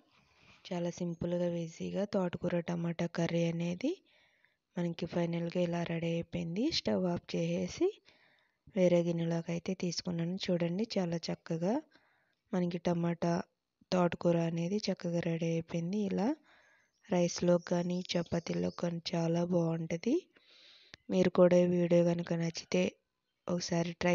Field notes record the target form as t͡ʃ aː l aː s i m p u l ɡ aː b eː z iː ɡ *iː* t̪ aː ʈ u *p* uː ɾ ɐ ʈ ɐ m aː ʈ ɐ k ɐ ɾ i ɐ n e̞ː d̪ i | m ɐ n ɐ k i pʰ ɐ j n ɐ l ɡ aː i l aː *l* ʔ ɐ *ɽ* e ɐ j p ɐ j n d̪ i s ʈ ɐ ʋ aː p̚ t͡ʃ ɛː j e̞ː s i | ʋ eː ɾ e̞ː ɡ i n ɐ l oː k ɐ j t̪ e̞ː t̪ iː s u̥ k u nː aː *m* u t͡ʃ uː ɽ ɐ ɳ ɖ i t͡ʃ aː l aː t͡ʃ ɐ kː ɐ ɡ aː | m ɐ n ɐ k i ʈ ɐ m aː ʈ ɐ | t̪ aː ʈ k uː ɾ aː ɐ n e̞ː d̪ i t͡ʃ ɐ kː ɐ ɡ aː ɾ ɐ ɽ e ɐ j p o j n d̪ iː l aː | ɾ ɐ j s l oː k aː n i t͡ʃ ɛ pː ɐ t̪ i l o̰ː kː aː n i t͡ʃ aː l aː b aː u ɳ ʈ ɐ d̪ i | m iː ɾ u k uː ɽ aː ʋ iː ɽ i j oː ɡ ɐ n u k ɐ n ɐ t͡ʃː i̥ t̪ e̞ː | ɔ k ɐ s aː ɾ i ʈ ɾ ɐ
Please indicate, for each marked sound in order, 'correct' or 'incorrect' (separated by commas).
incorrect, incorrect, incorrect, correct, incorrect